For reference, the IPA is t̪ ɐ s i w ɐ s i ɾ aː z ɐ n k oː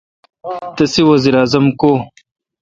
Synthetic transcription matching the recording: t̪ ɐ s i w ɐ z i ɾ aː z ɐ m k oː